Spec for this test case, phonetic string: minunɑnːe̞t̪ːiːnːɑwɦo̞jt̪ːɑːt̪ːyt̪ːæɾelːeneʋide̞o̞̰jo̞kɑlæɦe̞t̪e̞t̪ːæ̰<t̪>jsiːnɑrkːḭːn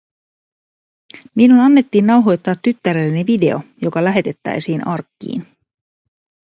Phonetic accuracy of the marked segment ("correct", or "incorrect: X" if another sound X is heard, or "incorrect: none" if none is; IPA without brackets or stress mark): incorrect: none